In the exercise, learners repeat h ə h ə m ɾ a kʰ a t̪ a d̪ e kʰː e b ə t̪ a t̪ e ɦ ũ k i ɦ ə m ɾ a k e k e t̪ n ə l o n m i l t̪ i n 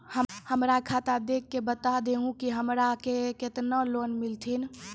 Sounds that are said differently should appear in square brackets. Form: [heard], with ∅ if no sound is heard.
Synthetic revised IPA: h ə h ə m ɾ a kʰ a t̪ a d̪ e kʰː e b ə t̪ a [d̪] e ɦ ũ k i ɦ ə m ɾ a k e k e t̪ n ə l o n m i l [t̪ʰ] i n